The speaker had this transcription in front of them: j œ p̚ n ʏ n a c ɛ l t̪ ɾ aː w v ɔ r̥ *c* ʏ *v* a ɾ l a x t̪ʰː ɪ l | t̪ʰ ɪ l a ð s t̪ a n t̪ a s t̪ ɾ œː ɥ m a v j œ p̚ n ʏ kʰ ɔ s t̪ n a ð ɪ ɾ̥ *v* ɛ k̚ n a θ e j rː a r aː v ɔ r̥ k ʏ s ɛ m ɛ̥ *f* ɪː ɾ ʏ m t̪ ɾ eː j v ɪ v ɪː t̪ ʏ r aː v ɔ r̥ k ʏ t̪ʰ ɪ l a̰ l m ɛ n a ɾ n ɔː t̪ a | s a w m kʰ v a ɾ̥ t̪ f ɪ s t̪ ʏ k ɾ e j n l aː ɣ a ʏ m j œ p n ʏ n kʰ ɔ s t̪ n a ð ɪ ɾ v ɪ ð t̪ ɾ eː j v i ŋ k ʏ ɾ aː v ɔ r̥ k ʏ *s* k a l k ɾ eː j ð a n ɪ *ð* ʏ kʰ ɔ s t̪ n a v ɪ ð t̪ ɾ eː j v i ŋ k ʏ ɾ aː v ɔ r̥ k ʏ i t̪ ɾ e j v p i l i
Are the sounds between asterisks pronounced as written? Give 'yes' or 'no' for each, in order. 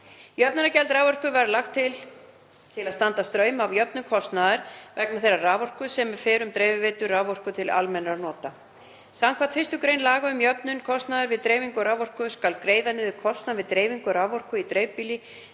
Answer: no, yes, yes, yes, yes, yes

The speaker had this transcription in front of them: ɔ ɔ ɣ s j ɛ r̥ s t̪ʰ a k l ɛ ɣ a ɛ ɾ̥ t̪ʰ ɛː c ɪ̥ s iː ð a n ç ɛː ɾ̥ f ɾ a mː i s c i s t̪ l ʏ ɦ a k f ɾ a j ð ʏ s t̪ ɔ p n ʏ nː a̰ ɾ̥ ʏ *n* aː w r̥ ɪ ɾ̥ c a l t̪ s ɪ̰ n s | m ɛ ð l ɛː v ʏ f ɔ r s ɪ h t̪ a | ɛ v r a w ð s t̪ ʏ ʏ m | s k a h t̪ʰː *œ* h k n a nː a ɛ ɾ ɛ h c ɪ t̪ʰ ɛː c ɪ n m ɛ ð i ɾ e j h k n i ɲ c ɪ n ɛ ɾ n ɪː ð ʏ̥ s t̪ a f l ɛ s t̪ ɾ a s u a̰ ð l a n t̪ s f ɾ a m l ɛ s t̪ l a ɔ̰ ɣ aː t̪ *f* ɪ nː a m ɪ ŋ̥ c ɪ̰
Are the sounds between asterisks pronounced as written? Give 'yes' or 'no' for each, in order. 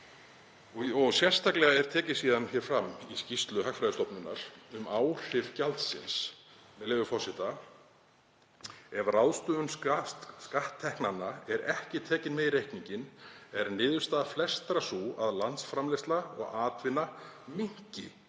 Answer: no, no, no

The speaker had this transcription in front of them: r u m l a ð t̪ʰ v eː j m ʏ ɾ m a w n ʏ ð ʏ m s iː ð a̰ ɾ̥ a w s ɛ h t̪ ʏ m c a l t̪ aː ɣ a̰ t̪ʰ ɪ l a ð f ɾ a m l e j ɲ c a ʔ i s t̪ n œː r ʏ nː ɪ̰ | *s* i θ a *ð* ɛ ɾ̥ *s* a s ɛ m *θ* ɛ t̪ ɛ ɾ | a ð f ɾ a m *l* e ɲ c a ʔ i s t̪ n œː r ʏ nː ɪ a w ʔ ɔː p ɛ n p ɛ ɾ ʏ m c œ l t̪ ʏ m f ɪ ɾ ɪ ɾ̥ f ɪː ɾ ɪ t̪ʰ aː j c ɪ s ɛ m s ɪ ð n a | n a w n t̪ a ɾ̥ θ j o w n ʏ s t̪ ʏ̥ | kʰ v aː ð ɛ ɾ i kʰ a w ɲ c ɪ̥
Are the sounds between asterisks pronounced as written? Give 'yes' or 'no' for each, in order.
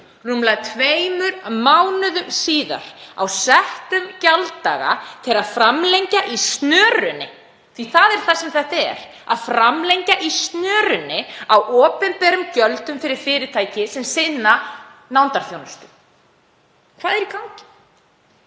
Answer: no, yes, no, yes, yes

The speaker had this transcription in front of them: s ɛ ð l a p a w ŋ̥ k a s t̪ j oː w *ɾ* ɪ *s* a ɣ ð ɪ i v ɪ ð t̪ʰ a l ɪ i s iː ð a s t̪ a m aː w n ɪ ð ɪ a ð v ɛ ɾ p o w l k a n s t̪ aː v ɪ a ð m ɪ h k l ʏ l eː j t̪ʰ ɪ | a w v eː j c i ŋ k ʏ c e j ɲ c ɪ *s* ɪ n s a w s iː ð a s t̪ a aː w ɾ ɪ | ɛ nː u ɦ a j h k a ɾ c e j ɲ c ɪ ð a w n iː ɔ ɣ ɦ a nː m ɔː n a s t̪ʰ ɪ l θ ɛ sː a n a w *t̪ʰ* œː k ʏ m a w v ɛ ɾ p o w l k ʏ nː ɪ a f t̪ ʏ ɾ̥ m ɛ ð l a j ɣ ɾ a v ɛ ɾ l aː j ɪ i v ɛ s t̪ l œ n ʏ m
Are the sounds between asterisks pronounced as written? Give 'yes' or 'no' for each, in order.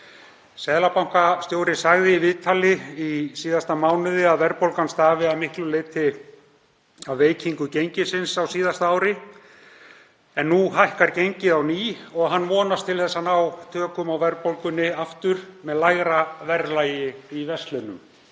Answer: yes, yes, yes, yes

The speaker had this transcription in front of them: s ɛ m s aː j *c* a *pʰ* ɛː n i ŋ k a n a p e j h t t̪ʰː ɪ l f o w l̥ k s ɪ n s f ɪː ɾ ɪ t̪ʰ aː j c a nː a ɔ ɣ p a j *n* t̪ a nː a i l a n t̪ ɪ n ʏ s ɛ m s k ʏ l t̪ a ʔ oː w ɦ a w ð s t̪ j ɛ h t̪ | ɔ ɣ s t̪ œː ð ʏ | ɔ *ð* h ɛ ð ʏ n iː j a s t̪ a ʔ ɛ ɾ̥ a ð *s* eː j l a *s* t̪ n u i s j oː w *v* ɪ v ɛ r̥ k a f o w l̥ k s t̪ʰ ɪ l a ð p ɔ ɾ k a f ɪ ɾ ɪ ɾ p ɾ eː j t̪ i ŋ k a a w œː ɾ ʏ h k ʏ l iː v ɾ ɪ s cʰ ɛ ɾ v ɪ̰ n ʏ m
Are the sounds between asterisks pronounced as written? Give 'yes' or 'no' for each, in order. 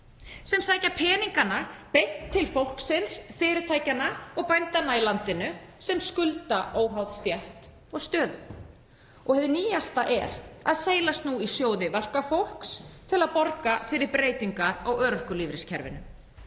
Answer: yes, yes, yes, no, yes, yes, no

